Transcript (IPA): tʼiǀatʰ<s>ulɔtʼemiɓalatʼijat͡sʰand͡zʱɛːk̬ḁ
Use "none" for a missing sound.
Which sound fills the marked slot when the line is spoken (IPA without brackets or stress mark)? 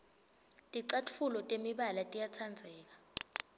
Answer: f